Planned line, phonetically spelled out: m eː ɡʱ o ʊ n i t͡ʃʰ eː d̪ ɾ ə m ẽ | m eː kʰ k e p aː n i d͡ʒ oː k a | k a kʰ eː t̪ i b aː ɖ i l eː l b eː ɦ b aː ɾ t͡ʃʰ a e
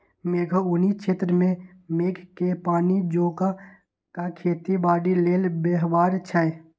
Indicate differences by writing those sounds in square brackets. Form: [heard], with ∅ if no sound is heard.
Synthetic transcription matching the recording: m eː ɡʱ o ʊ n i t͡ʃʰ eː [t̪] ɾ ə m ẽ | m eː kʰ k e p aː n i d͡ʒ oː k a | k a kʰ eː t̪ i b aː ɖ i l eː l b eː ɦ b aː ɾ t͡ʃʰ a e